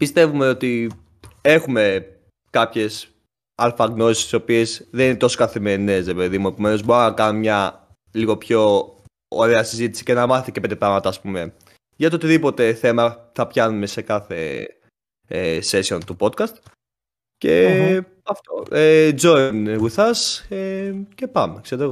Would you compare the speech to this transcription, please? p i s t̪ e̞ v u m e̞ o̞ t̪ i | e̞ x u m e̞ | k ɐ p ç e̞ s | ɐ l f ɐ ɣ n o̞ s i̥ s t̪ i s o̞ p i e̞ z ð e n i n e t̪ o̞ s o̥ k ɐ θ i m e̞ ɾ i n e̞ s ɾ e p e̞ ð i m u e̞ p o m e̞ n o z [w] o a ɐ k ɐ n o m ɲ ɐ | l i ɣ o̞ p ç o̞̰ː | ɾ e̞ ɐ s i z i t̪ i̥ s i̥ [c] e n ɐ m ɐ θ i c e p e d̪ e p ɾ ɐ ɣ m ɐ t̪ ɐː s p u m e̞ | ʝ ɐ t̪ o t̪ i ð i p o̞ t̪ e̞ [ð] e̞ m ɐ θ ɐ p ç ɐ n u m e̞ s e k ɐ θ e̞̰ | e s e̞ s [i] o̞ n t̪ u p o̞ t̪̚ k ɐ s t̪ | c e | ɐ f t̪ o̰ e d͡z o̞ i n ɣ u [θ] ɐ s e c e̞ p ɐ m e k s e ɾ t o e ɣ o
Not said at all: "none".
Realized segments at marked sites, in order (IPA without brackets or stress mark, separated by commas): b, c, θ, i, θ